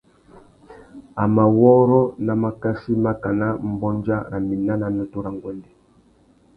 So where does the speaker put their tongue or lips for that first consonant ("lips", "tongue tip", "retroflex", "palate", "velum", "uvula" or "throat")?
lips